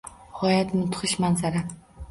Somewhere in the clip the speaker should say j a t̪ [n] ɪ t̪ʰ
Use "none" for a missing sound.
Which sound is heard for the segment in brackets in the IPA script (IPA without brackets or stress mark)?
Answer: m